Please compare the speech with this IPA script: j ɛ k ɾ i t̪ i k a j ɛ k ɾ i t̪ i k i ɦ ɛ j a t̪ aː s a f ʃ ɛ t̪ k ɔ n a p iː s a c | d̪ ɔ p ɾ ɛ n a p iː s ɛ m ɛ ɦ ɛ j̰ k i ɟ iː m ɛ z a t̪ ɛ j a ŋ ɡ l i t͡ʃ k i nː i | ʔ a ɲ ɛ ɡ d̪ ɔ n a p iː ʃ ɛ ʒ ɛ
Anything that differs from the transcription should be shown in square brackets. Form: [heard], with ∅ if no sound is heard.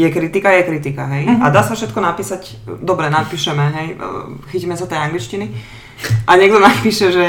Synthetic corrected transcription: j ɛ k ɾ i t̪ i k a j ɛ k ɾ i t̪ i k [a] ɦ ɛ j a [d̪] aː s a f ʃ ɛ t̪ k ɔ n a p iː s a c | d̪ ɔ [b] ɾ ɛ n a p iː [ʃ] ɛ m ɛ ɦ ɛ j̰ [x] i [c] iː m ɛ [s] a t̪ ɛ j a ŋ ɡ l i t͡ʃ [c] i [n] i | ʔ a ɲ ɛ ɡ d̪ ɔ n a p iː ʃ ɛ ʒ ɛ